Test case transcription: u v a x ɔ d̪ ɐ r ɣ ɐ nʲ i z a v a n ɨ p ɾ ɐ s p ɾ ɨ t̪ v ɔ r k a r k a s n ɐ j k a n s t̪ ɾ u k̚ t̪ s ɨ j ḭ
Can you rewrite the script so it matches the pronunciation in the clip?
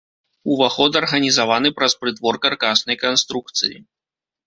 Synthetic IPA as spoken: u v a x ɔ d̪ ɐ r ɣ ɐ nʲ i z a v a n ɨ p ɾ ɐ s p ɾ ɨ t̪ v ɔ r k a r k a s n ɐ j k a n s t̪ ɾ u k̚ t̪ s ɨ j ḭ